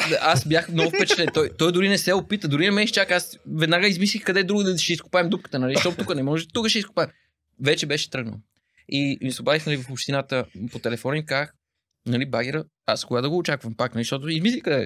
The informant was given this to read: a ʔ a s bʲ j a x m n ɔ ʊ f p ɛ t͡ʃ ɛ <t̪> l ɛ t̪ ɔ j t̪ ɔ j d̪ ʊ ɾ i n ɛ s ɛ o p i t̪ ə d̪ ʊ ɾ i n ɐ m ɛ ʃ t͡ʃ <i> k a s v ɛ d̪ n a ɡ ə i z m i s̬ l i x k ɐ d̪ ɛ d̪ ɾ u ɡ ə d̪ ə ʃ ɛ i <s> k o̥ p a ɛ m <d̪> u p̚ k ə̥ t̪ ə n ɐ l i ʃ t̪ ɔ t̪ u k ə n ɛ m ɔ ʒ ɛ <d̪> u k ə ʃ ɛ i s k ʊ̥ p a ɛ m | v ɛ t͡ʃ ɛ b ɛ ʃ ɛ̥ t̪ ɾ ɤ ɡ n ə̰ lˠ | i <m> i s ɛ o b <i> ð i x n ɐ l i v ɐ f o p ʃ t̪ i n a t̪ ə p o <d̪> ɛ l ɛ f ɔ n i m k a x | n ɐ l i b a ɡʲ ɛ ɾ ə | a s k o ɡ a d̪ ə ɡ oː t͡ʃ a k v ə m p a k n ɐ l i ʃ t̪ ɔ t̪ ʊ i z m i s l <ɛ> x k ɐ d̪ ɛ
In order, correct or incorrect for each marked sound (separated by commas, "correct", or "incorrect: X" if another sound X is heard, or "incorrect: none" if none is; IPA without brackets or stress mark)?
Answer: correct, incorrect: a, correct, correct, incorrect: t̪, correct, incorrect: a, incorrect: t̪, incorrect: i